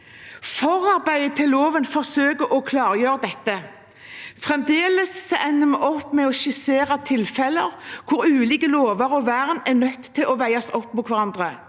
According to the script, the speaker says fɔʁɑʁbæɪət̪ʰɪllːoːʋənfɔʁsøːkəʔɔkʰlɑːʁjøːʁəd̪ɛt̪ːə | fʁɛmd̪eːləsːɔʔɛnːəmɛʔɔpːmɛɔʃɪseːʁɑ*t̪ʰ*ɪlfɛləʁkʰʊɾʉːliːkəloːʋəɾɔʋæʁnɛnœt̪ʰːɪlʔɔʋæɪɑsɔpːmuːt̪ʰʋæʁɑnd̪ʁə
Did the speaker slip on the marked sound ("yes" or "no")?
no